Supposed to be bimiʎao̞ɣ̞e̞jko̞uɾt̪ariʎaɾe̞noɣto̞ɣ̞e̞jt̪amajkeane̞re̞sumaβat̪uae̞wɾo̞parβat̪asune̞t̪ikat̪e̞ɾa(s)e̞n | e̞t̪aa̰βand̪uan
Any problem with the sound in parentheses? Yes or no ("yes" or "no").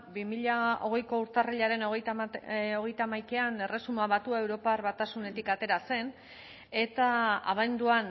no